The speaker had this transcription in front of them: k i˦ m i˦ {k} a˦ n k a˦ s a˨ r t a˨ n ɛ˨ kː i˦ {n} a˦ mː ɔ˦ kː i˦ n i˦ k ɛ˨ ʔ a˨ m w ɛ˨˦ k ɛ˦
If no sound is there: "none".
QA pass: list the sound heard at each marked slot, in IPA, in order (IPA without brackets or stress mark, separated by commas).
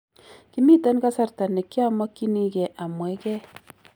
t, none